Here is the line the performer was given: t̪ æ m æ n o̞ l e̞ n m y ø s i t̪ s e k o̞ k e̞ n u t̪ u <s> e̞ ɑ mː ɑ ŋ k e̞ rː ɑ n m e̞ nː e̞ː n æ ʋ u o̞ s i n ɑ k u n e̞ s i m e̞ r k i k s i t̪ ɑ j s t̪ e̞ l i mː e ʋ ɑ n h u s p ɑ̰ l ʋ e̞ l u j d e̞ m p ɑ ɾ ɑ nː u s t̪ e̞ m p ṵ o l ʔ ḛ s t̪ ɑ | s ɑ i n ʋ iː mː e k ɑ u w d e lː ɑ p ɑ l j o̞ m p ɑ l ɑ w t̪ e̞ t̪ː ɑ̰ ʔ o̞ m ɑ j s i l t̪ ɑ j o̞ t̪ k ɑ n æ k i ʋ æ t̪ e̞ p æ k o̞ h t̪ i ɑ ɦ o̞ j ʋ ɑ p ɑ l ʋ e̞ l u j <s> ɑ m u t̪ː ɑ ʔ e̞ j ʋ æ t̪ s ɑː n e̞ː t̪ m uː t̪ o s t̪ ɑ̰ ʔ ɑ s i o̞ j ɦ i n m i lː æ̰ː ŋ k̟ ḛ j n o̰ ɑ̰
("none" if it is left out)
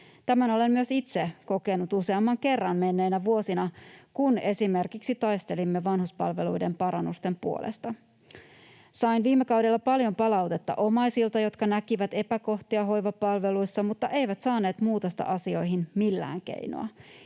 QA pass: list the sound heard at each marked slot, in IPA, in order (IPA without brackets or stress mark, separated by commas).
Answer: s, sː